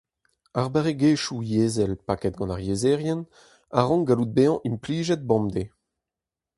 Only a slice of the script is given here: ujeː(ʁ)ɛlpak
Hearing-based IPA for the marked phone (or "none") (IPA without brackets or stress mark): z